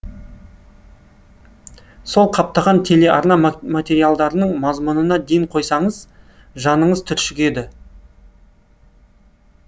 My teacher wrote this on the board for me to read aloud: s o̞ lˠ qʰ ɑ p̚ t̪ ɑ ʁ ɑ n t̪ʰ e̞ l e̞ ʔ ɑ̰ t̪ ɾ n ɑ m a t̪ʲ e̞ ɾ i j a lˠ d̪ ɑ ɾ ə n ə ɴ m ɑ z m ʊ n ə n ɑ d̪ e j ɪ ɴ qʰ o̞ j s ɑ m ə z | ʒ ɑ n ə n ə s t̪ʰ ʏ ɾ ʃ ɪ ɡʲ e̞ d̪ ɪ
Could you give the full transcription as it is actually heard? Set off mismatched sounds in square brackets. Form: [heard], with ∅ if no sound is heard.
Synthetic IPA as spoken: s o̞ lˠ qʰ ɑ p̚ t̪ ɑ ʁ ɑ n t̪ʰ e̞ l e̞ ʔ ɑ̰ [∅] ɾ n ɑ m a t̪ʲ e̞ ɾ i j a lˠ d̪ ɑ ɾ ə n ə ɴ m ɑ z m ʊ n ə n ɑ d̪ e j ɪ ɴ qʰ o̞ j s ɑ [ɴ] ə z | ʒ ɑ n ə [ɴ] ə [z] t̪ʰ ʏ ɾ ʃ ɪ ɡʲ e̞ d̪ ɪ